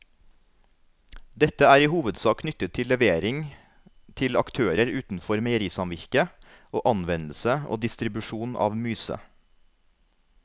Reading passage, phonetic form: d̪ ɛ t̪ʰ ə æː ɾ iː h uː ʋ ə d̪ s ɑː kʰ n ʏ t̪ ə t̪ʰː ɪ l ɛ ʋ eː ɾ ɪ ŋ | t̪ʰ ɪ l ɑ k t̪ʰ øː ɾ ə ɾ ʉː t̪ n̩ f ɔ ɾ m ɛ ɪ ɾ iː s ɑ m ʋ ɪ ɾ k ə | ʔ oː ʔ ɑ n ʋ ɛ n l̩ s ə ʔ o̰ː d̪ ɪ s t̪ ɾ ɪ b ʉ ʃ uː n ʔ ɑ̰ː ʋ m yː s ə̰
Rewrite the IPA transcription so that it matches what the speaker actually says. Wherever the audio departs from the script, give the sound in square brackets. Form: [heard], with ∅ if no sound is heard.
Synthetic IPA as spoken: d̪ ɛ [t̪] ə æː ɾ iː h uː ʋ ə d̪ s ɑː kʰ n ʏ t̪ ə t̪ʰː ɪ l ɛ ʋ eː ɾ ɪ ŋ | t̪ʰ ɪ l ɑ k t̪ʰ øː ɾ ə ɾ ʉː t̪ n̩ f ɔ ɾ m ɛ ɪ ɾ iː s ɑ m ʋ ɪ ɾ k ə | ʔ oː ʔ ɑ n ʋ ɛ n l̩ s ə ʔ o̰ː d̪ ɪ s t̪ ɾ ɪ b ʉ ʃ uː n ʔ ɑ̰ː ʋ m yː s ə̰